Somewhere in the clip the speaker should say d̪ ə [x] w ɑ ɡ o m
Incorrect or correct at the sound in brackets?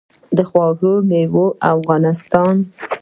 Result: correct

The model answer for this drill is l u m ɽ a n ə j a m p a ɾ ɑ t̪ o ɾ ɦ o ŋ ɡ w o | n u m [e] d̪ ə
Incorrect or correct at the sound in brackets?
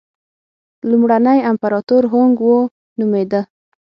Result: correct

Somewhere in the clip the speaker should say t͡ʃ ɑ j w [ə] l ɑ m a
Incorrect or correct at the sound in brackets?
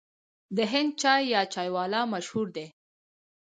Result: incorrect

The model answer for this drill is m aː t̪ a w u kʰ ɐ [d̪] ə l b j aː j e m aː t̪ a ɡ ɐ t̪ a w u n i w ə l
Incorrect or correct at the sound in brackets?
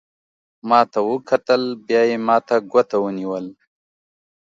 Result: incorrect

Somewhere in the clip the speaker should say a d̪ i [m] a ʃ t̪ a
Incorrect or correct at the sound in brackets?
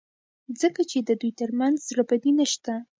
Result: incorrect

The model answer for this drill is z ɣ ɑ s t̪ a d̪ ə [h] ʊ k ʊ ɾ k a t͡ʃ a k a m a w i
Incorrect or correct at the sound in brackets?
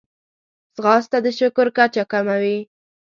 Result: incorrect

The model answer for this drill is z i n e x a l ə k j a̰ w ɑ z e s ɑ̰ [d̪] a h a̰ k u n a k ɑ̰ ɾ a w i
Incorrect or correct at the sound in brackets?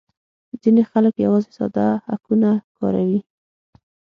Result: correct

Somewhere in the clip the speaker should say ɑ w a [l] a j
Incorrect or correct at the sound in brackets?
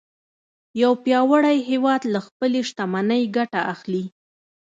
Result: incorrect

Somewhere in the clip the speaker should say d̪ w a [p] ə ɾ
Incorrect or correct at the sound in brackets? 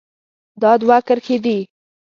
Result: incorrect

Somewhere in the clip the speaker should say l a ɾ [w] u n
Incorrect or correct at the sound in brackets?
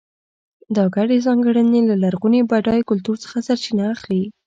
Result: incorrect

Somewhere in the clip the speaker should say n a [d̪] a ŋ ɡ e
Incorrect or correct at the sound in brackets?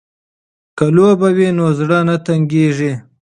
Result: incorrect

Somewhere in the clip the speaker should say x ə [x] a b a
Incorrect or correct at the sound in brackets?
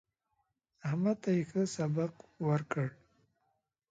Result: incorrect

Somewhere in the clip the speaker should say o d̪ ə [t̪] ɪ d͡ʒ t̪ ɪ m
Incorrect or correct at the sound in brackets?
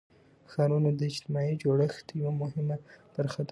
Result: incorrect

